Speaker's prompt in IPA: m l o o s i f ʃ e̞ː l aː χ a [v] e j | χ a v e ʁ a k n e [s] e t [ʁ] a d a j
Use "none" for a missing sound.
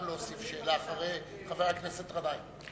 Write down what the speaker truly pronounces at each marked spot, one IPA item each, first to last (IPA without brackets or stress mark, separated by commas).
ʁ, s, ʁ